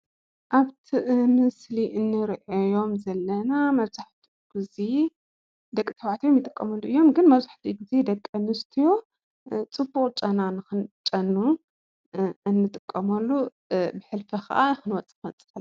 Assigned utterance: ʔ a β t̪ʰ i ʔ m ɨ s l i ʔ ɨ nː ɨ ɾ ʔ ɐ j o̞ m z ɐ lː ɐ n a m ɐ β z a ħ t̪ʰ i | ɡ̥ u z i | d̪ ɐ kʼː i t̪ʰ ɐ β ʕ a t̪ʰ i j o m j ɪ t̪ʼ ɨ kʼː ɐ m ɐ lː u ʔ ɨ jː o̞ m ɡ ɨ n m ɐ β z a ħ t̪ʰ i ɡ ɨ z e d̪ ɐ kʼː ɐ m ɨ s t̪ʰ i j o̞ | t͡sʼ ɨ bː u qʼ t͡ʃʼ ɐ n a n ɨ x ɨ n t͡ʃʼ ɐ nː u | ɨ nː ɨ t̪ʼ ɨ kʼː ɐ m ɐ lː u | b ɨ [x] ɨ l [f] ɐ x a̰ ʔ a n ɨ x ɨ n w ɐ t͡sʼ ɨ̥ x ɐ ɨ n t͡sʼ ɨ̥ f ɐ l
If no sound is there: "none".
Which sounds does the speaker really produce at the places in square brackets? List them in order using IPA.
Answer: ħ, f

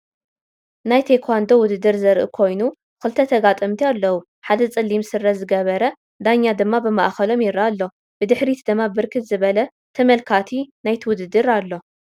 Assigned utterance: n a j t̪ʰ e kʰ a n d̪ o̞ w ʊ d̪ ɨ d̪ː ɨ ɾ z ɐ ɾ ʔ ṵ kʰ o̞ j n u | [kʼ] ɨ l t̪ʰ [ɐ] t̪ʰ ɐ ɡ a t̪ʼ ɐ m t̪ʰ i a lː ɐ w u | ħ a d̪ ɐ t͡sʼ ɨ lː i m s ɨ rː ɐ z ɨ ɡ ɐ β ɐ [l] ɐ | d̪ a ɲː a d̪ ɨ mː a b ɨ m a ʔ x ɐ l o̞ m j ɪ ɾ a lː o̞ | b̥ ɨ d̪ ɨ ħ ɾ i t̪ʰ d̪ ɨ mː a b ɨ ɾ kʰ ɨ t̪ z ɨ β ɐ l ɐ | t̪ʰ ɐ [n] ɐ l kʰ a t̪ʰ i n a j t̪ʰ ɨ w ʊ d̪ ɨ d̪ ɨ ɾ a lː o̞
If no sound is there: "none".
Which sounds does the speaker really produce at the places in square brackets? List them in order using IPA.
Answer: k, ɐ, ɾ, m

